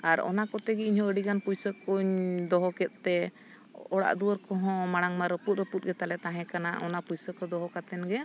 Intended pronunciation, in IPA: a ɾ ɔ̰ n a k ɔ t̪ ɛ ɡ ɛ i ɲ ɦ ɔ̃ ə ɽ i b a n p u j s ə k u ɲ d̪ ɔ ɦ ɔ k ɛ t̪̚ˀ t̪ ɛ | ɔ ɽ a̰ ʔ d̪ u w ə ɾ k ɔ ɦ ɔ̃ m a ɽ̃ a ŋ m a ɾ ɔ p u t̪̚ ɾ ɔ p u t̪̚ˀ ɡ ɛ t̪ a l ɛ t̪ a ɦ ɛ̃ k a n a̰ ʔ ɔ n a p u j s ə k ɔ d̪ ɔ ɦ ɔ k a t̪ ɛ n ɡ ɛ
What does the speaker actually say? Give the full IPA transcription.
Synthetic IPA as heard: a ɾ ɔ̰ n a k ɔ t̪ ɛ ɡ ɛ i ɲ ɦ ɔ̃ ə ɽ i ɡ a n p u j s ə k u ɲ d̪ ɔ ɦ ɔ k ɛ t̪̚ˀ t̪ ɛ | ɔ ɽ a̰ ʔ d̪ u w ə ɾ k ɔ ɦ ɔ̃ m a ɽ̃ a ŋ m a ɾ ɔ p u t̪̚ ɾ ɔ p u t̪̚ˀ ɡ ɛ t̪ a l ɛ t̪ a ɦ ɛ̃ k a n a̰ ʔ ɔ n a p u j s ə k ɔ d̪ ɔ ɦ ɔ k a t̪ ɛ n ɡ ɛ